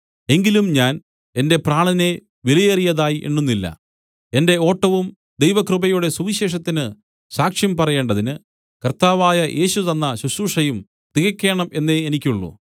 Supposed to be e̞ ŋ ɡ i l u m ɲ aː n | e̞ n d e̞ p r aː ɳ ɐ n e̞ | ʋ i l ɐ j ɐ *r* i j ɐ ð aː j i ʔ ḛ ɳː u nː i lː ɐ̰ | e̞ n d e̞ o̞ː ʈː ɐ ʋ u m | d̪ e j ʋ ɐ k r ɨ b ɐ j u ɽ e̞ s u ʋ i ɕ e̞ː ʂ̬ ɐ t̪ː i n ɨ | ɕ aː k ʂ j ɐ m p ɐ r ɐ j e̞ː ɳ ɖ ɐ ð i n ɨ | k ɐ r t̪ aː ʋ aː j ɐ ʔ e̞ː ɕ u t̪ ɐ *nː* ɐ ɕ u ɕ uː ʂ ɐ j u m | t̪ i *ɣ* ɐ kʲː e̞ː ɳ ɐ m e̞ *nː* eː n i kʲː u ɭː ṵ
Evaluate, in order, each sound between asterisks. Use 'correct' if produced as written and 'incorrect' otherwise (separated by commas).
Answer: correct, correct, correct, correct